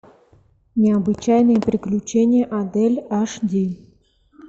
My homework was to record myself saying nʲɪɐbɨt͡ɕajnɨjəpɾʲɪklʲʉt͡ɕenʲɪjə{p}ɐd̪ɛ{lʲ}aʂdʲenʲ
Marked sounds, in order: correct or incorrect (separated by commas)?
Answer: incorrect, correct